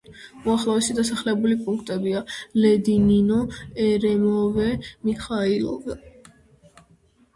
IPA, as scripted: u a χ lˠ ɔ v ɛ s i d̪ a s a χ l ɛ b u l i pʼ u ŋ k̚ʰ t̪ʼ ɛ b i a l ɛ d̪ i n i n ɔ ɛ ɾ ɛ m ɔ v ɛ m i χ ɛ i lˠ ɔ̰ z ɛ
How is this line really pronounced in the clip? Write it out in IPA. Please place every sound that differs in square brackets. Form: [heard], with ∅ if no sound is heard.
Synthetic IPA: u a χ lˠ ɔ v ɛ s i d̪ a s a χ l ɛ b u l i pʼ u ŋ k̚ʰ t̪ʼ ɛ b i a l ɛ d̪ i n i n ɔ ɛ ɾ ɛ m ɔ v ɛ m i χ [a] i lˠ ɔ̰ [v] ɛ